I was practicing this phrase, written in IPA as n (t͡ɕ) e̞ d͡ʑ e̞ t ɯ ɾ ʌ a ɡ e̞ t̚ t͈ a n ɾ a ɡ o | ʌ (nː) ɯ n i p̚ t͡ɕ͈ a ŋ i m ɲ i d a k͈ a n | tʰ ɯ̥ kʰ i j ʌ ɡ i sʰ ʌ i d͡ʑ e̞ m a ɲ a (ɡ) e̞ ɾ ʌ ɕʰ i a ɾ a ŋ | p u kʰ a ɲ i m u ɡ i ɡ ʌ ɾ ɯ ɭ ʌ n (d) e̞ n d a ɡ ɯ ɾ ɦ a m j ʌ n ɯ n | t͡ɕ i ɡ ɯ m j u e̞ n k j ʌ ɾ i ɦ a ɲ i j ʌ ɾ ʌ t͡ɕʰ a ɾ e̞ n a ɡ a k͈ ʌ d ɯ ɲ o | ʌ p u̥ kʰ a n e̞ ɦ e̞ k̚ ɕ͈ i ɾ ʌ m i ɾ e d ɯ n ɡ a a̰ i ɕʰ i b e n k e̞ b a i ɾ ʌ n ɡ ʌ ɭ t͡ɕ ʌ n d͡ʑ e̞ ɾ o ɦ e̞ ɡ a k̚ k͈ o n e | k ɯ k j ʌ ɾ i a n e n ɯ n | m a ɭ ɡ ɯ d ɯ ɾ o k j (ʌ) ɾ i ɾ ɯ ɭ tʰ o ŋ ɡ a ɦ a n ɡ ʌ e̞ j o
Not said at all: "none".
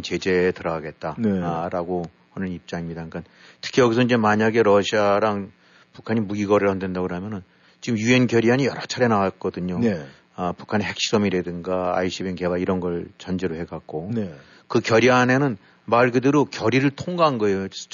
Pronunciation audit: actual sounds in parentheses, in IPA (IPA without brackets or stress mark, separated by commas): t͡ɕ, n, ɡ, d, ʌ